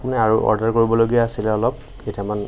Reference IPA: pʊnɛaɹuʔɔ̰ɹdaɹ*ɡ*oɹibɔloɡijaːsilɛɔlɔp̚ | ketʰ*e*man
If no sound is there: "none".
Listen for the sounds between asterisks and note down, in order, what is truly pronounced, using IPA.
k, a

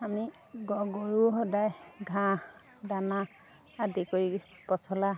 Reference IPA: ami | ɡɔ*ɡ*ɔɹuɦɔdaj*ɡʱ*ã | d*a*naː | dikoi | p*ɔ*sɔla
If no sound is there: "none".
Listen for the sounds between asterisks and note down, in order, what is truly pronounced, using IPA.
ɡ, ɡʱ, a, ɔ

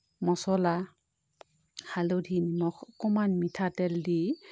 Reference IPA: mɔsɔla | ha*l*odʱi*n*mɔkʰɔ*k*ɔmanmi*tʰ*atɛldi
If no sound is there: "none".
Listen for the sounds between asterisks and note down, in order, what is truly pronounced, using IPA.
l, n, k, tʰ

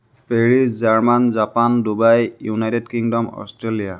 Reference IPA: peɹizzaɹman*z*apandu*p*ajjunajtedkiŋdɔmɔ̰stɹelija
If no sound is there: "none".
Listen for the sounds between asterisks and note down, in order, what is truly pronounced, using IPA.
z, b

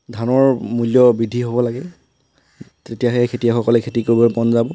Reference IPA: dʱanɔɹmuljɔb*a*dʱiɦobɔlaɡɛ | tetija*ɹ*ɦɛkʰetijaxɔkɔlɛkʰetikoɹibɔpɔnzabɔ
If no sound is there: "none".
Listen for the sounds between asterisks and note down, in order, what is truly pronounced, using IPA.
i, none

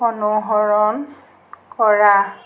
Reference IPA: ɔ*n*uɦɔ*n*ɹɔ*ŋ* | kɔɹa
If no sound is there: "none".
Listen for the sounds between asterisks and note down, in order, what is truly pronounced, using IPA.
n, none, n

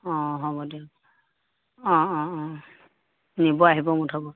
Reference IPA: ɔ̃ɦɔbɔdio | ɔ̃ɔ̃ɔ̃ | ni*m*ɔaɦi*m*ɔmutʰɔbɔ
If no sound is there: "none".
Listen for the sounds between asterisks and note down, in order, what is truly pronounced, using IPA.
b, b

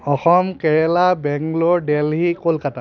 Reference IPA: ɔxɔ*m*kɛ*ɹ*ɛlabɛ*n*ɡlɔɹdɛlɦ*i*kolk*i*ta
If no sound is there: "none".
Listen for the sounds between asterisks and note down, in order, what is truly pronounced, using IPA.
m, ɹ, ŋ, i, a

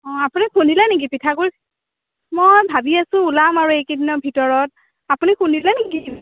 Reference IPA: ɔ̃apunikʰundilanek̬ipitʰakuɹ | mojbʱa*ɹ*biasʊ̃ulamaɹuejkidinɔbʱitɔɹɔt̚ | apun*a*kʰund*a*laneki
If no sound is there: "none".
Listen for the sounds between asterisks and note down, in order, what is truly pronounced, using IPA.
none, i, i

